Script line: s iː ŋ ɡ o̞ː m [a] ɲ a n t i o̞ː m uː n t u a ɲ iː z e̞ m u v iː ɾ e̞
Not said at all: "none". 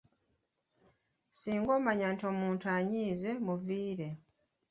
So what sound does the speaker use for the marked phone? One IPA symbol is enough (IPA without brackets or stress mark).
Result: a